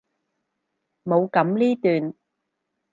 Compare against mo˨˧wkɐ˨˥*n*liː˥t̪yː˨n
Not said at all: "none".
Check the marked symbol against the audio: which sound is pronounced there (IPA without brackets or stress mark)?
m